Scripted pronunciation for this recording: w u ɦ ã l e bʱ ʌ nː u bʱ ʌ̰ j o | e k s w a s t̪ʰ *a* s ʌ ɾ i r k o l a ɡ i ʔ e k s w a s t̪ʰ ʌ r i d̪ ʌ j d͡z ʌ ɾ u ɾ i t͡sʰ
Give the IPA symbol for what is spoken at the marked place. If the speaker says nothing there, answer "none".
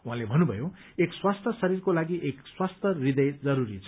ʌ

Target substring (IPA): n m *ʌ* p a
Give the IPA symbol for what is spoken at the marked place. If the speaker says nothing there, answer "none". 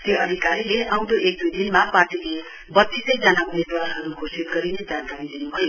a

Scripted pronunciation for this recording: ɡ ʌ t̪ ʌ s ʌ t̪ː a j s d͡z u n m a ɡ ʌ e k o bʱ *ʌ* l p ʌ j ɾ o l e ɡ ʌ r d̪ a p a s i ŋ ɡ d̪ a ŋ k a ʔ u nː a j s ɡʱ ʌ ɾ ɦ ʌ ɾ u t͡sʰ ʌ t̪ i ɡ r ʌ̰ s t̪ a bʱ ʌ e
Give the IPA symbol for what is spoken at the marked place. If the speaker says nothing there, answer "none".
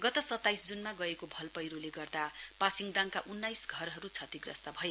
ʌ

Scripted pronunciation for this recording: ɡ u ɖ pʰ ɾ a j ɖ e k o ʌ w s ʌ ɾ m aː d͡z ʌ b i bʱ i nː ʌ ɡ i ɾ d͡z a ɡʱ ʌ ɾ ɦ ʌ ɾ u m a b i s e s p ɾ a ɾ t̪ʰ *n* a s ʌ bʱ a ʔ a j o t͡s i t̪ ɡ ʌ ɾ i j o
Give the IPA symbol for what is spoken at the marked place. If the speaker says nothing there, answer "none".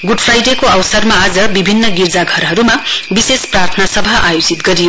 n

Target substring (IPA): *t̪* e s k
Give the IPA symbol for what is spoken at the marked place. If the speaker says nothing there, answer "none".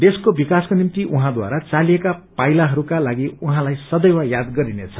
d̪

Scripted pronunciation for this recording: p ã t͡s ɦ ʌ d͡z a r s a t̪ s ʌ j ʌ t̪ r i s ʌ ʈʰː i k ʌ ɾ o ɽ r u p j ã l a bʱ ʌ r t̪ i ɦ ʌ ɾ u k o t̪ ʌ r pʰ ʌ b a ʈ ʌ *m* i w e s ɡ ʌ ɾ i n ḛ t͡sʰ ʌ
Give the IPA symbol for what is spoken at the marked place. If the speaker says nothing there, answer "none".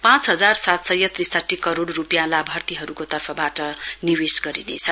n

